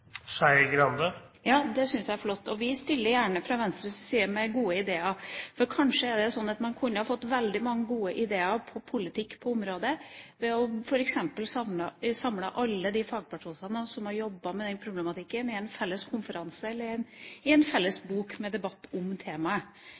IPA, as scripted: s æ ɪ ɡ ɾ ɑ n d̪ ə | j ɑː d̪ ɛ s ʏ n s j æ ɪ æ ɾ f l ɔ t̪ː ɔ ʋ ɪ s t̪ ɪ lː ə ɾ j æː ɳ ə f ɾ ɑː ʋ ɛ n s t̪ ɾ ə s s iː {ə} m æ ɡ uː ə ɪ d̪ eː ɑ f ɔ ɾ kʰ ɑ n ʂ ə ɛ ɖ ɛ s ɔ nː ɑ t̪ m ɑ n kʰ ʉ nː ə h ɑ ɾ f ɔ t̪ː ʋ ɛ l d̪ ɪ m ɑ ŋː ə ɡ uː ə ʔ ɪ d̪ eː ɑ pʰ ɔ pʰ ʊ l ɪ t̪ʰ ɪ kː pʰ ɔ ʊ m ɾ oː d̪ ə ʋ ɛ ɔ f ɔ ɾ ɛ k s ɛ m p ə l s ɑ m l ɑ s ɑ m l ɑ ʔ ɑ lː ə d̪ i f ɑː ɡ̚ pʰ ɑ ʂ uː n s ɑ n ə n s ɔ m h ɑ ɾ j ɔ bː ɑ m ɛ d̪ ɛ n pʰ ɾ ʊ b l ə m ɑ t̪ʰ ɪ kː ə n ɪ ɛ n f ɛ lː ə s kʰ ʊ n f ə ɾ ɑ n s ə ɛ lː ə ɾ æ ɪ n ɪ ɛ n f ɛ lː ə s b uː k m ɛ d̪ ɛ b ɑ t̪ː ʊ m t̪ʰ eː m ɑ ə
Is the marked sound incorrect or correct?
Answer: correct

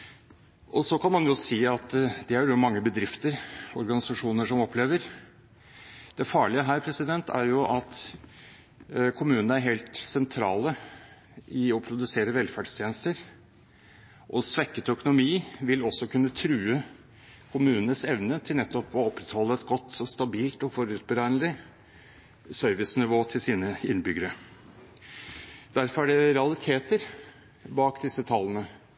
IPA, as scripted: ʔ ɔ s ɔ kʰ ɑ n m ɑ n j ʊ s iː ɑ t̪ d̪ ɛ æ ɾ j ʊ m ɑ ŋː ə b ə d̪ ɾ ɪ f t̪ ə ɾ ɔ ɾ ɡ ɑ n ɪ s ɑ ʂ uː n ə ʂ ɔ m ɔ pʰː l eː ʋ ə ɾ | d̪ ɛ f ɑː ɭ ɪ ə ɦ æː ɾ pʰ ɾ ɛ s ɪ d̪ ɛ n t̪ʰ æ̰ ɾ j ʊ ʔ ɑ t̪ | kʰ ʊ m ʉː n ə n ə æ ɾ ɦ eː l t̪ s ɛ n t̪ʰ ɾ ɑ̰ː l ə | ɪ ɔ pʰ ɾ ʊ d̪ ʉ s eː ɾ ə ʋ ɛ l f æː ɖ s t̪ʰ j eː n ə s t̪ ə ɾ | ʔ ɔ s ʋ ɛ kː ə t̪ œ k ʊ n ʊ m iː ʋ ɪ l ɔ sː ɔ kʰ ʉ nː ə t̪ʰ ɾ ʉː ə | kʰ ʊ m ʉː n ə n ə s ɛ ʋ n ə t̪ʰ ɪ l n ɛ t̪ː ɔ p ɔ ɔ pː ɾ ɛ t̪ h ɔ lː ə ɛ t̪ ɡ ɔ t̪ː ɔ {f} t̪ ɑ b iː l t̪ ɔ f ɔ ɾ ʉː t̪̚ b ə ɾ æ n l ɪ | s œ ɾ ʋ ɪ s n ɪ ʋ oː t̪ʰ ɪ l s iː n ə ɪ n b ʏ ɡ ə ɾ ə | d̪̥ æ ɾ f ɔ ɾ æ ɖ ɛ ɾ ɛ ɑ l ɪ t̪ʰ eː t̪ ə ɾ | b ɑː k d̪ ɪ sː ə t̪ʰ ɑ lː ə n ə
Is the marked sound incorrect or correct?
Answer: incorrect: s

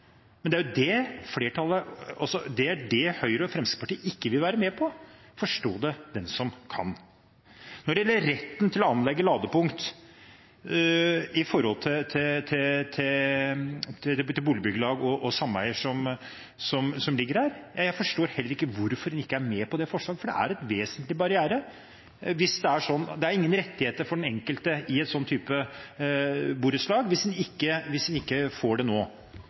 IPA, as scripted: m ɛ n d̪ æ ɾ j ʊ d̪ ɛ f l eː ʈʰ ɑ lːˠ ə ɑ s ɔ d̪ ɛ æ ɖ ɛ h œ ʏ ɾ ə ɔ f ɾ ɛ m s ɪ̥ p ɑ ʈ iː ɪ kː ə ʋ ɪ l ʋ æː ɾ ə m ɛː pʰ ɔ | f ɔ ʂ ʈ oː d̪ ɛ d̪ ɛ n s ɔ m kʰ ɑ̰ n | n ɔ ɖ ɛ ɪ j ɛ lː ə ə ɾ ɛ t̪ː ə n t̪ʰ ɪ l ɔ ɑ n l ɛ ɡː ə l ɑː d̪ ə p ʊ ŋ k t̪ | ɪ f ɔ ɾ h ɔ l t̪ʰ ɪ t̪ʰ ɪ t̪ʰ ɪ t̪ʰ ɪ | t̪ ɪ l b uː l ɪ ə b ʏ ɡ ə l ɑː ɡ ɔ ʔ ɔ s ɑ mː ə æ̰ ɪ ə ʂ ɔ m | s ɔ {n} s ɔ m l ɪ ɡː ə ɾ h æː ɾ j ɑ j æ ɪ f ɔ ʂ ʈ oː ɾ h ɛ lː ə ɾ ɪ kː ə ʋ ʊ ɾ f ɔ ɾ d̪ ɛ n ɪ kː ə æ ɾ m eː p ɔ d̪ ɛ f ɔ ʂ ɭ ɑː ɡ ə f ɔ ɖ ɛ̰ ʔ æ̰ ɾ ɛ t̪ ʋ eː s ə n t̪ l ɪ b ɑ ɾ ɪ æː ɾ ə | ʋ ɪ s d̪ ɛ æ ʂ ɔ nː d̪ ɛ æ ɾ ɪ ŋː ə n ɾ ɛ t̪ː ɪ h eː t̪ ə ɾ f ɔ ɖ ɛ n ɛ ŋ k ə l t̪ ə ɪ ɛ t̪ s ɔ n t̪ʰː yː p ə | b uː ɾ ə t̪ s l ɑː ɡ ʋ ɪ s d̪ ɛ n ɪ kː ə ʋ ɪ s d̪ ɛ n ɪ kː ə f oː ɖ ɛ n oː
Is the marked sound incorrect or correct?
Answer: incorrect: m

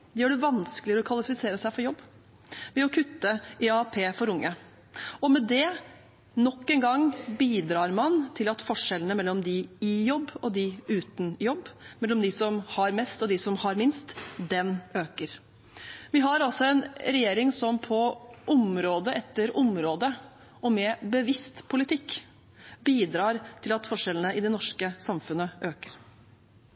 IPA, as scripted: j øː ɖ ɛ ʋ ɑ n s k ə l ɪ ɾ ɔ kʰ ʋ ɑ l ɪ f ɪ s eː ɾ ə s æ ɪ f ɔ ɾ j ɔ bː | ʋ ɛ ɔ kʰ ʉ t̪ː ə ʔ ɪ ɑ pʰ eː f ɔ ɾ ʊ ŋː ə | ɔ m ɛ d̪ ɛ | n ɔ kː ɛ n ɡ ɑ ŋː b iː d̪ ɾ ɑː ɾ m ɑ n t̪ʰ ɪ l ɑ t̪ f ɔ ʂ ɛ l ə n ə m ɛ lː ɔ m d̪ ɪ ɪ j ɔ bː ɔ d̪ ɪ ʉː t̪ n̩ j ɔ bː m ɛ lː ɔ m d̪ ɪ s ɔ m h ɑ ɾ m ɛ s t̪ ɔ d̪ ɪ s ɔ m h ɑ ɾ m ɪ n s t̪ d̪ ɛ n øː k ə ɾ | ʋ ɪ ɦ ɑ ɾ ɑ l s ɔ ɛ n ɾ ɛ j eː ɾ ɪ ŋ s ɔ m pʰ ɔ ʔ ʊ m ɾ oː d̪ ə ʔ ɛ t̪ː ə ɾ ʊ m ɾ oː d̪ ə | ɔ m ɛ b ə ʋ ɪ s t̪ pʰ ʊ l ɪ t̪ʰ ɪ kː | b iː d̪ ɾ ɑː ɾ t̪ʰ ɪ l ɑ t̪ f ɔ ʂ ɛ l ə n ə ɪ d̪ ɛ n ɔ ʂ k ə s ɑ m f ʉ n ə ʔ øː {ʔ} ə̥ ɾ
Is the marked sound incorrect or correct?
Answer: incorrect: k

